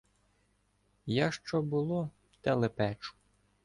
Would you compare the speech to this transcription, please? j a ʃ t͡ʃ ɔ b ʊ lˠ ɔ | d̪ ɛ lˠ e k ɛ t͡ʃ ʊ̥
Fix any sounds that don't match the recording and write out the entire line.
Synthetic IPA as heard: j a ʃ t͡ʃ ɔ b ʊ lˠ ɔ | t̪ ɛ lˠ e p ɛ t͡ʃ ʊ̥